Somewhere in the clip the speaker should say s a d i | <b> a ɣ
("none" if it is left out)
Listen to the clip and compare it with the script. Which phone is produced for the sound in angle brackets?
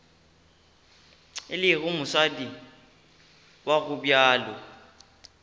w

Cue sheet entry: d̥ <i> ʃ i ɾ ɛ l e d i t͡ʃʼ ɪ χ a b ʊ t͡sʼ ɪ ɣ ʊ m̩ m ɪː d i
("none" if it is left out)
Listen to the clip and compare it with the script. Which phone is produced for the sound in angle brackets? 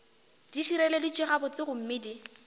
i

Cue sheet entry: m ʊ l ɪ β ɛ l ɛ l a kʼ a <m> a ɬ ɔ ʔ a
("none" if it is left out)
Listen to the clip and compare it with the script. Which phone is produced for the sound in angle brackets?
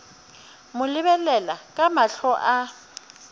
m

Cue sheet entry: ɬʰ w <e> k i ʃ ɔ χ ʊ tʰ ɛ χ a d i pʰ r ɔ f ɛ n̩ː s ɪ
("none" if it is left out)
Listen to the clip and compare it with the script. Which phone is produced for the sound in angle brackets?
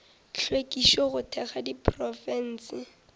e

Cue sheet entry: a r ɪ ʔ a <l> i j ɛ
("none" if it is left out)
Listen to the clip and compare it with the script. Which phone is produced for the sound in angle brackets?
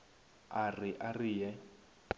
r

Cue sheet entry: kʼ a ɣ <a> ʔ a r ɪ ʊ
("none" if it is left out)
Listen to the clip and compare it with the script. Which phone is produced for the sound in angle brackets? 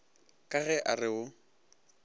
ɛ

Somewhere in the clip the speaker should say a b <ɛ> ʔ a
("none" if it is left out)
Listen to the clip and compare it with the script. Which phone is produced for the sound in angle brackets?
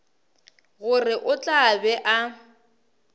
ɛ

